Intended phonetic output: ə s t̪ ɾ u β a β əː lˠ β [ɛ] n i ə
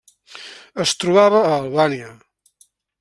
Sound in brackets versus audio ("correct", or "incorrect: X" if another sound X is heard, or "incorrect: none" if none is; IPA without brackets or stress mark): incorrect: a